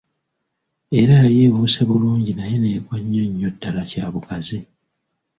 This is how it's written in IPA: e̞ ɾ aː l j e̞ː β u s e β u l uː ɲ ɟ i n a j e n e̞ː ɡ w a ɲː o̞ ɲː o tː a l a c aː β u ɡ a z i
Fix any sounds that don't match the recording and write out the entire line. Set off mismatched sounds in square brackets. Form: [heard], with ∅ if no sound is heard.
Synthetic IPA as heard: e̞ ɾ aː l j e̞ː β u s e β u l uː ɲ ɟ i n a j e n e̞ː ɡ w a ɲː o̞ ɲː o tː a l a c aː β u [k] a z i